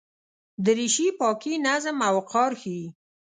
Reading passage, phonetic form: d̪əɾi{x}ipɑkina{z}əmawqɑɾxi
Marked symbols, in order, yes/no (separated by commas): no, yes